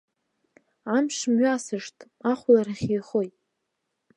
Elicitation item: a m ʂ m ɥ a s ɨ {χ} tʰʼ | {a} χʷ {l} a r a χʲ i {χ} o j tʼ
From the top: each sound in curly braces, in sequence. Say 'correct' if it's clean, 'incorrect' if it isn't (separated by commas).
incorrect, correct, correct, correct